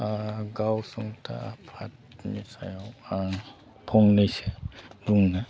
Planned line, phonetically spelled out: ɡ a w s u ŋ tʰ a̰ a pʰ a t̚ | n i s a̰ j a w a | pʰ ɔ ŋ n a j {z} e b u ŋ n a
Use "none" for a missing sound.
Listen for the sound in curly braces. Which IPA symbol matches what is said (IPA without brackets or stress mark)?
s